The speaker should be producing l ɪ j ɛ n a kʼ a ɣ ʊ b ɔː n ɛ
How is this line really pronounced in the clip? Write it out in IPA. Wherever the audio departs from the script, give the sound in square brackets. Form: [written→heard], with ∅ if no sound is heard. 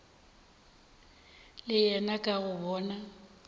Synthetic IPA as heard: l ɪ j ɛ n a kʼ a ɣ ʊ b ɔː n [ɛ→a]